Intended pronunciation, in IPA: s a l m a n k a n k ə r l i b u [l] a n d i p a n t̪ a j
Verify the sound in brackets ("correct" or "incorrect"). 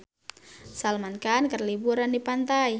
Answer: incorrect